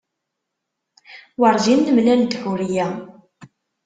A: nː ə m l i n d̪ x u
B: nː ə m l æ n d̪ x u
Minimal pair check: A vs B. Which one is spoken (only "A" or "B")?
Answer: B